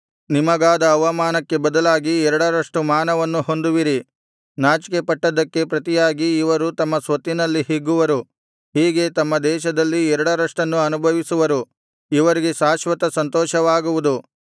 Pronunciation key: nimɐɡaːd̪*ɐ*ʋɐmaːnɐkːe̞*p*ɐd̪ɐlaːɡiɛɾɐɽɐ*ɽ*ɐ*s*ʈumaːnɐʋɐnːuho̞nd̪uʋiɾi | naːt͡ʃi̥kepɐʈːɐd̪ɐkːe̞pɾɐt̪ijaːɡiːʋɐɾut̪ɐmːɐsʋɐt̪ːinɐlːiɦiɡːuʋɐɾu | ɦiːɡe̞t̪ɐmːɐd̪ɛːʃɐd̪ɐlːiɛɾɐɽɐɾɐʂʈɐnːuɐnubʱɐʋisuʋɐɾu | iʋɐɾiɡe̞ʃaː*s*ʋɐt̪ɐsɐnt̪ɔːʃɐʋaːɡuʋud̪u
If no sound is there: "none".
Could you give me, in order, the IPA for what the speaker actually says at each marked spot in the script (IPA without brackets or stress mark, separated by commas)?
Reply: ɐː, b, ɾ, ʂ, ʃ